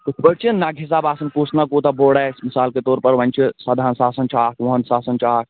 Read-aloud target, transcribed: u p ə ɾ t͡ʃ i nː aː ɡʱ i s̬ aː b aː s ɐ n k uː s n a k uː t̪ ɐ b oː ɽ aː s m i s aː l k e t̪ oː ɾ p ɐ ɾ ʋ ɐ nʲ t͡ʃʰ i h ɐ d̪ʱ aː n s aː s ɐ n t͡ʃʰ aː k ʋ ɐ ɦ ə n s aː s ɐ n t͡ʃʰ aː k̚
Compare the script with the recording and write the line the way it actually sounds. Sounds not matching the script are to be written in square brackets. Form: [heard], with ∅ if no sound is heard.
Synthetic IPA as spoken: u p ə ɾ t͡ʃ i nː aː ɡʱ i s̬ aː b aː s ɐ n k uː s n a k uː t̪ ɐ b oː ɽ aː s m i s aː l k e t̪ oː ɾ p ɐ ɾ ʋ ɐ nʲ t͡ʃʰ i [s] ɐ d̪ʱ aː n s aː s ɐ n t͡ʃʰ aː k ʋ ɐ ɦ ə n s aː s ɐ n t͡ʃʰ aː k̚